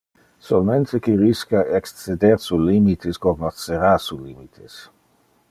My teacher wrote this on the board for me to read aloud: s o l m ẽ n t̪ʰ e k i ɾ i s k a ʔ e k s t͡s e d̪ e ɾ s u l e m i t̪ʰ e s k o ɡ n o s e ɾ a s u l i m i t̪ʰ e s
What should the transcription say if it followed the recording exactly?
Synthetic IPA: s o l m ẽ n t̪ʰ e k i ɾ i s k a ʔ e k s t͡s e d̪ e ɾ s u l i m i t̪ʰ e s k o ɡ n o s e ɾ a s u l i m i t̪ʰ e s

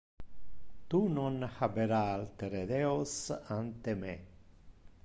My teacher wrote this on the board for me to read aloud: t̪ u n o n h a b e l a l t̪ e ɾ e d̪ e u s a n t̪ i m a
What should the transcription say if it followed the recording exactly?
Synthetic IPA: t̪ u n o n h a b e ɾ a l t̪ e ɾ e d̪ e o s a n t̪ e m e

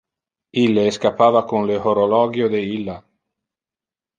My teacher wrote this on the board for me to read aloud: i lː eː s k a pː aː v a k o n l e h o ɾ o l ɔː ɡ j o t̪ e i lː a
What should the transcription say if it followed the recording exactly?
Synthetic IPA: i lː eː s k a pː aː v a k o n l e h o ɾ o l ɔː ɡ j o d̪ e i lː a

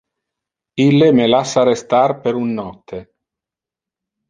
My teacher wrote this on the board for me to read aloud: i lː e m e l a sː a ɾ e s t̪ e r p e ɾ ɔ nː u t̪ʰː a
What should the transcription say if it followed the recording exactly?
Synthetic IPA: i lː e m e l a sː a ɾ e s t̪ a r p e ɾ u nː ɔ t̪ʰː e

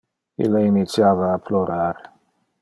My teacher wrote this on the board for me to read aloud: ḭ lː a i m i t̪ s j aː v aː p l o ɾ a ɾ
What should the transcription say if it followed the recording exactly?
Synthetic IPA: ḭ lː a i n i t̪ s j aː v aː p l o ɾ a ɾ

